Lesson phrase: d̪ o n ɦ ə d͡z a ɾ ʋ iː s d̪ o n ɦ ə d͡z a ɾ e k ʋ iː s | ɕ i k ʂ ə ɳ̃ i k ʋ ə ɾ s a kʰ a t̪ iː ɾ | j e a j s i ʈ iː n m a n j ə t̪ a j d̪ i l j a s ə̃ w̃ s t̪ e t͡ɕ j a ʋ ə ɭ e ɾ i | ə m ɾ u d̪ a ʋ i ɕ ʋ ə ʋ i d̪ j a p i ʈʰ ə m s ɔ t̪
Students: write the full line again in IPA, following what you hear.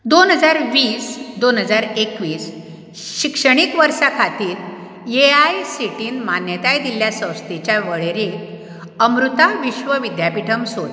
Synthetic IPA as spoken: d̪ o n ɦ ə d͡z a ɾ ʋ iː s d̪ o n ɦ ə d͡z a ɾ e k ʋ iː s | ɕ i k ʂ ə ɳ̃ i k ʋ ə ɾ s a kʰ a t̪ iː ɾ | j e a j s i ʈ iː n m a n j ə t̪ a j d̪ i l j a s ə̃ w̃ s t̪ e t͡ɕ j a ʋ ə ɭ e ɾ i | ə m ɾ u t̪ a ʋ i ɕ ʋ ə ʋ i d̪ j a p i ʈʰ ə m s o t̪